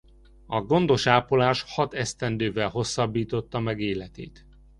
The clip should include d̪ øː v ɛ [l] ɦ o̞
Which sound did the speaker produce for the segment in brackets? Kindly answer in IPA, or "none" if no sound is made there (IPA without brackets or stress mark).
l